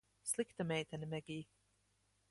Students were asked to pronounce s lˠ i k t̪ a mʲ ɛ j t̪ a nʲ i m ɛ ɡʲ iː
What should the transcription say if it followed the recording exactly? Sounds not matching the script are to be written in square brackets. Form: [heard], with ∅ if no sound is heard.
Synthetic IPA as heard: s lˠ i k t̪ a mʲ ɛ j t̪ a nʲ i m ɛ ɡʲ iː